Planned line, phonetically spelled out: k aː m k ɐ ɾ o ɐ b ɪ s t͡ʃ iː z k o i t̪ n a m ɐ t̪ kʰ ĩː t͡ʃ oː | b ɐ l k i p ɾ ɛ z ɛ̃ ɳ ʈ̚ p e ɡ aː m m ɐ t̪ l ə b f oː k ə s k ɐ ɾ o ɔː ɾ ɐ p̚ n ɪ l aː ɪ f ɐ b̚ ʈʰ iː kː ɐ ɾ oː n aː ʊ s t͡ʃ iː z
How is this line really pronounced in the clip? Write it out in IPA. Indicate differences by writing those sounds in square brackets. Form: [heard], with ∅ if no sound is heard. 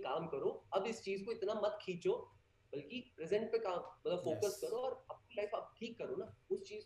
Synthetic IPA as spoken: k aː m k ɐ ɾ o ɐ b ɪ s t͡ʃ iː z k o [ɪ] t̪ n a m ɐ t̪ kʰ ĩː t͡ʃ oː | b ɐ l k i p ɾ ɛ z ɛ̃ ɳ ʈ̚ p e [k] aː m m ɐ t̪ l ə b f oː k ə s k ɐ ɾ o ɔː ɾ ɐ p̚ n [i] l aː ɪ f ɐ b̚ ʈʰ iː kː ɐ ɾ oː n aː ʊ s t͡ʃ iː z